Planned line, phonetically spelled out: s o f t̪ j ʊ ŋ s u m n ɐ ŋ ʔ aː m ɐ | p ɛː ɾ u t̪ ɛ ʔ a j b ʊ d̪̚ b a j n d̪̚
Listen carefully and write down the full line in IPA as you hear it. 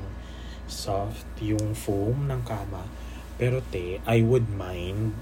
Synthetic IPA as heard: s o f t̪ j ʊ ŋ f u m n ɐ ŋ k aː m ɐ | p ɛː ɾ o t̪ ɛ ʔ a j w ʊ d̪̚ m a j n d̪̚